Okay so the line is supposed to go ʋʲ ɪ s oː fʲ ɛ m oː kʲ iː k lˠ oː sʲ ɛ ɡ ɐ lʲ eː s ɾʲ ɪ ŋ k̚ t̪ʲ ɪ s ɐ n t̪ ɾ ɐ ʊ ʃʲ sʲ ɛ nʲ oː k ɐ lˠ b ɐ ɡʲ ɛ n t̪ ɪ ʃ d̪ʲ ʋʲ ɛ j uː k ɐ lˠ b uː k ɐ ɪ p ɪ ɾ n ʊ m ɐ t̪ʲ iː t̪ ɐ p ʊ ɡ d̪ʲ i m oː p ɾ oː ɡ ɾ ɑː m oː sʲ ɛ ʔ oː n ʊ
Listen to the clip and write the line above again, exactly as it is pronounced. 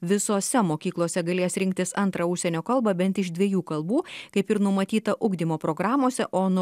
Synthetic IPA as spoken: ʋʲ ɪ s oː sʲ ɛ m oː kʲ iː k lˠ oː sʲ ɛ ɡ ɐ lʲ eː s ɾʲ ɪ ŋ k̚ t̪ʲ ɪ s ɐ n t̪ ɾ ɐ ʊ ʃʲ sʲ ɛ nʲ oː k ɐ lˠ b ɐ bʲ ɛ n t̪ ɪ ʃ d̪ʲ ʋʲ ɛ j uː k ɐ lˠ b uː k ɐ ɪ p ɪ ɾ n ʊ m ɐ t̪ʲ iː t̪ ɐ ʔ ʊ ɡ d̪ʲ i m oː p ɾ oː ɡ ɾ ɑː m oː sʲ ɛ ʔ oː n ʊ